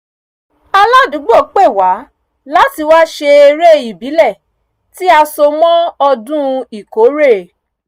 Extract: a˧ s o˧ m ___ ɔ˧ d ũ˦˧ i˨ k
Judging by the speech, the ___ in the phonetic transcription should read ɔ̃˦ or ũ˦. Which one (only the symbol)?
ɔ̃˦